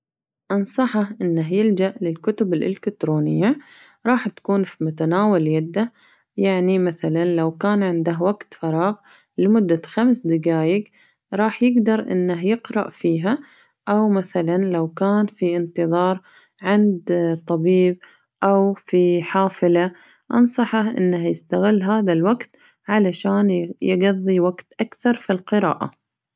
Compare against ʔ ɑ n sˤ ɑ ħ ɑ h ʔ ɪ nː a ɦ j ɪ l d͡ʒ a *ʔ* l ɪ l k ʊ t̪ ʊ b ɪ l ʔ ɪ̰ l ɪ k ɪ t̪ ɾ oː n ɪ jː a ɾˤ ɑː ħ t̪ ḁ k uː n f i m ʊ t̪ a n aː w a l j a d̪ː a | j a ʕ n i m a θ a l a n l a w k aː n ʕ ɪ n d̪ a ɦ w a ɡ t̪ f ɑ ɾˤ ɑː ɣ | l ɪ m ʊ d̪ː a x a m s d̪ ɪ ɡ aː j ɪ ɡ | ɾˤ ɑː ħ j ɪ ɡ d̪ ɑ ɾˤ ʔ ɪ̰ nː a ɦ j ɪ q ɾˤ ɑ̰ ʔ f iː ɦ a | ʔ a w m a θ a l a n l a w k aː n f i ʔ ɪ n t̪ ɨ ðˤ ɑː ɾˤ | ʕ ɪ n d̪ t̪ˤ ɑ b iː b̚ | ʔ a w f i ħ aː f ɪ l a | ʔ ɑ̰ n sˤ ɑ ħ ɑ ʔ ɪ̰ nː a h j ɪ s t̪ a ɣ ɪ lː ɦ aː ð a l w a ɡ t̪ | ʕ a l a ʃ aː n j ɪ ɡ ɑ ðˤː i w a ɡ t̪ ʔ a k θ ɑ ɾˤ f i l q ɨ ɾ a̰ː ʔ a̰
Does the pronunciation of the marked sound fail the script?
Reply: no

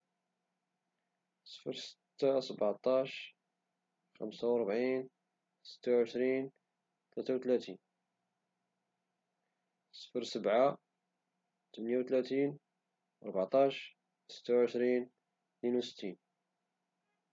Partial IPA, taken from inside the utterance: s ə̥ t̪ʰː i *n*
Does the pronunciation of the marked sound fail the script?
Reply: no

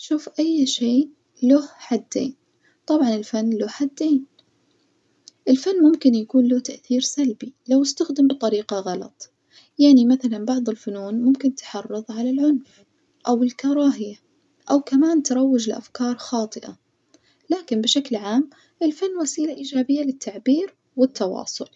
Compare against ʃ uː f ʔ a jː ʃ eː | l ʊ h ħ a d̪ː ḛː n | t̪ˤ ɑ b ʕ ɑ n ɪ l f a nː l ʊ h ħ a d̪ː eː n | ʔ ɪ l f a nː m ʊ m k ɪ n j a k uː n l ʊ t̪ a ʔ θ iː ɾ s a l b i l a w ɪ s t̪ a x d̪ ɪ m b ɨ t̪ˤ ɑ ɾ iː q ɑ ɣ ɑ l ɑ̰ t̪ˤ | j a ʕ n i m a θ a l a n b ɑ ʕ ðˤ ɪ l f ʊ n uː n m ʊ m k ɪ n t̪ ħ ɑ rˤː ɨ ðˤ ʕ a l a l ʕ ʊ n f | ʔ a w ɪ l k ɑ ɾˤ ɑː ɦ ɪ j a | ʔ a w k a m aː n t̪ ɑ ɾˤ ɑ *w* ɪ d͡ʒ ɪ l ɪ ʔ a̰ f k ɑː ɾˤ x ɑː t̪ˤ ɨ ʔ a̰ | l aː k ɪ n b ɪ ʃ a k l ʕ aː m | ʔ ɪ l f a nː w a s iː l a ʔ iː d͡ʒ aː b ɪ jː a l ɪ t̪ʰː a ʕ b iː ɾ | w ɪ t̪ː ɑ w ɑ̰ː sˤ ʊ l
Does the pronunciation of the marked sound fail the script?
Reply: yes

